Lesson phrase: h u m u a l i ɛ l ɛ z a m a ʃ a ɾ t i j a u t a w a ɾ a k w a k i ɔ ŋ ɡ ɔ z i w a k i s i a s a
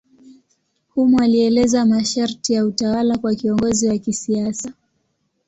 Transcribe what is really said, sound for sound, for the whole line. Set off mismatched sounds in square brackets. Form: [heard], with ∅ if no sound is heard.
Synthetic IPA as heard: h u m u a l i ɛ l ɛ z a m a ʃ a ɾ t i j a u t a w a [l] a k w a k i ɔ ŋ ɡ ɔ z i w a k i s i a s a